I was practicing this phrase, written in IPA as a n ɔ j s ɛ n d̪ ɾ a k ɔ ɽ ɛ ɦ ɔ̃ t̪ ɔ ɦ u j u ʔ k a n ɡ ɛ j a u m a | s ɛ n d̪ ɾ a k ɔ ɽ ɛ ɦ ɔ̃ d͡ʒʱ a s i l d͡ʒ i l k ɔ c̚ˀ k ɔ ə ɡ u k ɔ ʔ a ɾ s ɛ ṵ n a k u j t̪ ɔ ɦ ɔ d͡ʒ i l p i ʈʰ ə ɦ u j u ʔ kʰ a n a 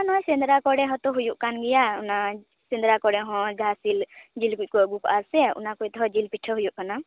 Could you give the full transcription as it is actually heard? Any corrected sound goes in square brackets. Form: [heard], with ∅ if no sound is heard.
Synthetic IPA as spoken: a n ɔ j s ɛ n d̪ ɾ a k ɔ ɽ ɛ ɦ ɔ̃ t̪ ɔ ɦ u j u ʔ k a n ɡ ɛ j a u [n] a | s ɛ n d̪ ɾ a k ɔ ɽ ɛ ɦ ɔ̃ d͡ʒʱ a s i l d͡ʒ i l k [u] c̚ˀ k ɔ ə ɡ u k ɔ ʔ a ɾ s ɛ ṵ n a k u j t̪ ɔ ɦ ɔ d͡ʒ i l p i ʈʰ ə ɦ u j u ʔ [k] a n a